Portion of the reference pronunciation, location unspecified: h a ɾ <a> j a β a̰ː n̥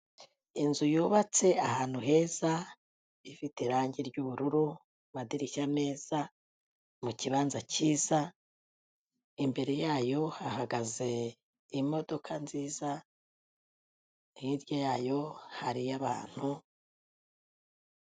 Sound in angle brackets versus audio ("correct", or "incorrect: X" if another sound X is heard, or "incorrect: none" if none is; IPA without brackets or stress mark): incorrect: i